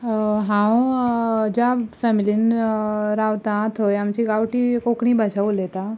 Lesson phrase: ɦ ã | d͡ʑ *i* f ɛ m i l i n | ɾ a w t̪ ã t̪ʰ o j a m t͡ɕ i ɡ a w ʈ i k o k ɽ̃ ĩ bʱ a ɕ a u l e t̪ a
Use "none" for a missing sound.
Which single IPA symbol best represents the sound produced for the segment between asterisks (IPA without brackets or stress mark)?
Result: a